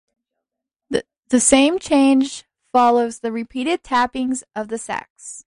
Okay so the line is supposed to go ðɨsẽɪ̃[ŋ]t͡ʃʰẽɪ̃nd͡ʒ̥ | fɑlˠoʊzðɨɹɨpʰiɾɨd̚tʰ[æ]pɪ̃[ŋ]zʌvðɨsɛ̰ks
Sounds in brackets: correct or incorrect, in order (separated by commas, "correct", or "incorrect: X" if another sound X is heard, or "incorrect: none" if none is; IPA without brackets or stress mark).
incorrect: m, correct, correct